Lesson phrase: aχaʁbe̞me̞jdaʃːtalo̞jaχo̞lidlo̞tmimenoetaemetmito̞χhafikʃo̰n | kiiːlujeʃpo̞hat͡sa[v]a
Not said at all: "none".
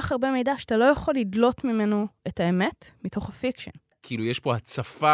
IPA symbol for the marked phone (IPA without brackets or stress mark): f